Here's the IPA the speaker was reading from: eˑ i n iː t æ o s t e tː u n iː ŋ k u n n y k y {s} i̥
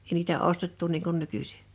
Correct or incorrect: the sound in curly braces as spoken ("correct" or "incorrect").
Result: correct